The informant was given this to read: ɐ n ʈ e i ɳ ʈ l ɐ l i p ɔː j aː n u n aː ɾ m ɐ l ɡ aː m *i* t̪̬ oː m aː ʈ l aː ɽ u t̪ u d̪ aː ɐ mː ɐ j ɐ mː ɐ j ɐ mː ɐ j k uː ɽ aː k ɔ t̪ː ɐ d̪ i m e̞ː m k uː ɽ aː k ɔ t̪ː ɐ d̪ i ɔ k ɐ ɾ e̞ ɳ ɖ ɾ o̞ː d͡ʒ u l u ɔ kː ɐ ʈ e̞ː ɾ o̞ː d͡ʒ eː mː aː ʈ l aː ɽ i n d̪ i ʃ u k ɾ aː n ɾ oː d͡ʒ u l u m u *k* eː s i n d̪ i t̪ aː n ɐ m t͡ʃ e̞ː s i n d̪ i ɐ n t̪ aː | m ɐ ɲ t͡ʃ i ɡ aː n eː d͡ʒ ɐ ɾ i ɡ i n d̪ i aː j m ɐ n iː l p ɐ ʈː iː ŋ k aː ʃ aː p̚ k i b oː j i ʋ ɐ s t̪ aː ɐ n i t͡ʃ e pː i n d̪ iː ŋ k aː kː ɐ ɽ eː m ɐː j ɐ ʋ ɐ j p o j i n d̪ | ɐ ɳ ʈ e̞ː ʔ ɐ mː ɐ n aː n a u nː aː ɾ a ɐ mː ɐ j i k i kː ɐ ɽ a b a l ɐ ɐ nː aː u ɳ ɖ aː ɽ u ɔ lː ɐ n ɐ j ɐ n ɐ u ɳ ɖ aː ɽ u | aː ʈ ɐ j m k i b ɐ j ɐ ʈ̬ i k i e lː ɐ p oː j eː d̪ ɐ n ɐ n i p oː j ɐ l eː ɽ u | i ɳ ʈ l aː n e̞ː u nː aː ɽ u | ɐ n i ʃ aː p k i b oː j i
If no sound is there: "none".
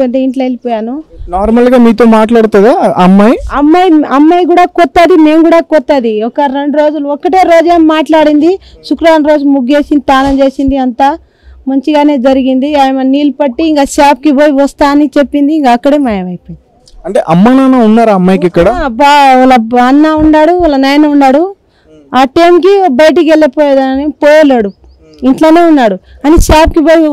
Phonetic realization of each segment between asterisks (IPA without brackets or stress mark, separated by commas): iː, ɡ